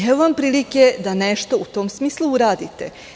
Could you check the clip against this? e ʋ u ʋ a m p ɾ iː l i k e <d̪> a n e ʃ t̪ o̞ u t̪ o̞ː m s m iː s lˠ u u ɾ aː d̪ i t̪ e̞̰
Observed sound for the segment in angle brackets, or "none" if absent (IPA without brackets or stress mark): d̪